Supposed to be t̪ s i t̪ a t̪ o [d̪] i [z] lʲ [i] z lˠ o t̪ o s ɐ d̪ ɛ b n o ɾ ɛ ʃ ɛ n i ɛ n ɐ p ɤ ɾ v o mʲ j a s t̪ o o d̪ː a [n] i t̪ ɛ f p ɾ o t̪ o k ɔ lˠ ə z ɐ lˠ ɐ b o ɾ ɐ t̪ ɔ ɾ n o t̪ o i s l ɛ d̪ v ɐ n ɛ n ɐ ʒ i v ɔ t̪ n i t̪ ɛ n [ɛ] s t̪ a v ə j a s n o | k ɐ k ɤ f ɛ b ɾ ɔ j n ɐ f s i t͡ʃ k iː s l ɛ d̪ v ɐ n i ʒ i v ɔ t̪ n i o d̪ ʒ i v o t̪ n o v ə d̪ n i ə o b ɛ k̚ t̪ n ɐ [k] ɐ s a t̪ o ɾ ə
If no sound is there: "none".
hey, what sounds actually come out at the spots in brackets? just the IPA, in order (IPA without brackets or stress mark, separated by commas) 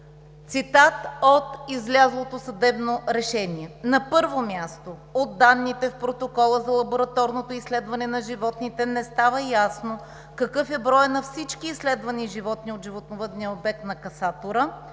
t̪, z, a, nː, ɛ, k